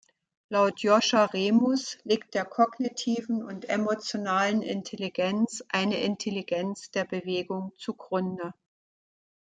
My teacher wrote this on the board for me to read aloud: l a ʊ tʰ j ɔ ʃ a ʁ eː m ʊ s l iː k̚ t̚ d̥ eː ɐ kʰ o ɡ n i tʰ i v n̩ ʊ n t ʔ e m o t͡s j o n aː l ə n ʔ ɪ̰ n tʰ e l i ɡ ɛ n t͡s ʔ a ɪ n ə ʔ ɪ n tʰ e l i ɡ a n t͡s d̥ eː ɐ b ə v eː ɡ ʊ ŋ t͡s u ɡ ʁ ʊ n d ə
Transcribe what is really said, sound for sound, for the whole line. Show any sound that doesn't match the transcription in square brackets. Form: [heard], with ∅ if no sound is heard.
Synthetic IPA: l a ʊ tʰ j ɔ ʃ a ʁ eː m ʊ s l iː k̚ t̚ d̥ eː ɐ kʰ [ɔ] ɡ n i tʰ [iː] v n̩ ʊ n t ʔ e m o t͡s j o n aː l ə n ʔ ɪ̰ n tʰ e l i ɡ ɛ n t͡s ʔ a ɪ n ə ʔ ɪ n tʰ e l i ɡ [ɛ] n t͡s d̥ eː ɐ b ə v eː ɡ ʊ ŋ t͡s u ɡ ʁ ʊ n d ə

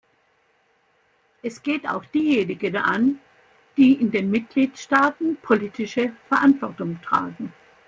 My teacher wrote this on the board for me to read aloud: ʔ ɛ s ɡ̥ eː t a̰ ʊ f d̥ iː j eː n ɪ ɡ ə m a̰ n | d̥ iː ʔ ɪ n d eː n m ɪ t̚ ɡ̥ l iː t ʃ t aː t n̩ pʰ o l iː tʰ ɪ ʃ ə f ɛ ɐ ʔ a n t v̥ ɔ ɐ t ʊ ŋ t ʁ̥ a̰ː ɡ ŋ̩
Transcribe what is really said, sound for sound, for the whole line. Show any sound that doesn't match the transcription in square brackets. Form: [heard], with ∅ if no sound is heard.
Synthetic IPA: ʔ ɛ s ɡ̥ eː t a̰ ʊ [x] d̥ iː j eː n ɪ ɡ ə [n] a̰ n | d̥ iː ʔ ɪ n d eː n m ɪ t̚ ɡ̥ l iː t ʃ t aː t n̩ pʰ o l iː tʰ ɪ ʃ ə f ɛ ɐ ʔ a n t v̥ ɔ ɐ t ʊ ŋ t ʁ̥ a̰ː ɡ ŋ̩

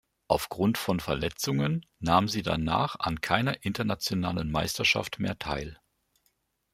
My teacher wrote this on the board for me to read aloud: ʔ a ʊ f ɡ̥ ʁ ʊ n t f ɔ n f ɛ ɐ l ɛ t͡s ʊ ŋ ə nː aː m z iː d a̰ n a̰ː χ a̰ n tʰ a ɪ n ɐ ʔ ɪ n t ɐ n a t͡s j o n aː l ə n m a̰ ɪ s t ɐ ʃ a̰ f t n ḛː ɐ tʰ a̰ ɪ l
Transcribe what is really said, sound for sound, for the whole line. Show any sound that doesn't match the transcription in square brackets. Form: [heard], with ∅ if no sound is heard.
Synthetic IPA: ʔ a ʊ f ɡ̥ ʁ ʊ n t f ɔ n f ɛ ɐ l ɛ t͡s ʊ ŋ ə nː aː m z iː d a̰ n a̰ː χ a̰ n [kʰ] a ɪ n ɐ ʔ ɪ n t ɐ n a t͡s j o n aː l ə n m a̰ ɪ s t ɐ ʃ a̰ f t [m] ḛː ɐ tʰ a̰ ɪ l

